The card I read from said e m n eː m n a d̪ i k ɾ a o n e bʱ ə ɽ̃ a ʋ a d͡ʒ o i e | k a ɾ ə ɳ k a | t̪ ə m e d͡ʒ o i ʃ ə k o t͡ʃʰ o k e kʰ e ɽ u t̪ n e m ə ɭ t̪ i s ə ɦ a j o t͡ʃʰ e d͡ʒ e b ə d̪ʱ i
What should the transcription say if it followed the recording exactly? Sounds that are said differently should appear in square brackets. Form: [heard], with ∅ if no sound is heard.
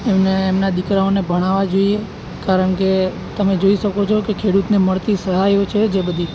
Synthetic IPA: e m n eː m n a d̪ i k ɾ a o n e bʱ ə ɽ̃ a ʋ a d͡ʒ o i e | k a ɾ ə ɳ k [e] | t̪ ə m e d͡ʒ o i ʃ ə k o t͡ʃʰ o k e kʰ e ɽ u t̪ n e m ə ɭ t̪ i s ə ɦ a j o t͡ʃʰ e d͡ʒ e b ə d̪ʱ i